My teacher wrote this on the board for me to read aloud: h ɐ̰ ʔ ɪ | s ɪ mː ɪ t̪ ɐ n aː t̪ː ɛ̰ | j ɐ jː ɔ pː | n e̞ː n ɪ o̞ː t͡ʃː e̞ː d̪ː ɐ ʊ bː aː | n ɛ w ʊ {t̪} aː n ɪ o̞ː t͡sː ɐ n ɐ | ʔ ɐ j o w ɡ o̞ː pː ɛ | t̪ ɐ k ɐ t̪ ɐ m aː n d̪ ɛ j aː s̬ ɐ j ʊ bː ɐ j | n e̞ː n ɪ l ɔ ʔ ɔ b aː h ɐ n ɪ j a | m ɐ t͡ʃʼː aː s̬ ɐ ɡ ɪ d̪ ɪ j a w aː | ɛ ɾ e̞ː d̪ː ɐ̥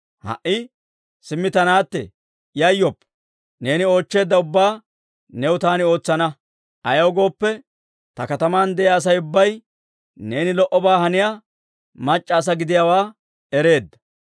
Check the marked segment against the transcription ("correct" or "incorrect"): correct